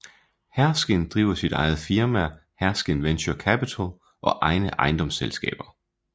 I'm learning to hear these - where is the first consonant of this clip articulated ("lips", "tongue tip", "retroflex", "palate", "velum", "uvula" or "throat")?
throat